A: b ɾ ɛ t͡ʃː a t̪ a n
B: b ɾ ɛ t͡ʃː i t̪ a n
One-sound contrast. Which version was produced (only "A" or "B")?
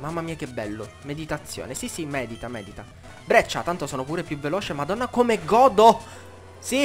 A